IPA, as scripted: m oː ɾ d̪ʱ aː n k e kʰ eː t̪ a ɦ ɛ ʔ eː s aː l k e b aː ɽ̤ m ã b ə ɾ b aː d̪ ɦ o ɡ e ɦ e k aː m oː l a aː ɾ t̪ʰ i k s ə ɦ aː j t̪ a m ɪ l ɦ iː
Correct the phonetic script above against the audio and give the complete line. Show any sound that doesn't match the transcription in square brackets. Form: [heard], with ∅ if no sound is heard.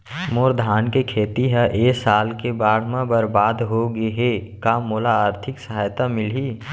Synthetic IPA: m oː ɾ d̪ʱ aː n k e kʰ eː t̪ [i] ɦ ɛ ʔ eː s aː l k e b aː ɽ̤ m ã b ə ɾ b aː d̪ ɦ o ɡ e ɦ e k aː m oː l a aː ɾ t̪ʰ [ɪ] k s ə ɦ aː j t̪ a m ɪ l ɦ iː